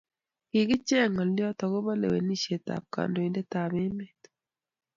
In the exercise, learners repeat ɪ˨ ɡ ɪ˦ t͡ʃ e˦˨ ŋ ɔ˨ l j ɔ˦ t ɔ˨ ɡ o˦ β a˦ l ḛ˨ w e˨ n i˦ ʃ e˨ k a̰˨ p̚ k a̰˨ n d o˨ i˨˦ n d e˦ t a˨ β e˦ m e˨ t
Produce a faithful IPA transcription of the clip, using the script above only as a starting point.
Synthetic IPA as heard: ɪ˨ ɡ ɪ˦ t͡ʃ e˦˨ ŋ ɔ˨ l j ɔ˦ t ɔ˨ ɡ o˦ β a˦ l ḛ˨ w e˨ n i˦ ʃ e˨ t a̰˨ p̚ k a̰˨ n d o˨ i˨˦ n d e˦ t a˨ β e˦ m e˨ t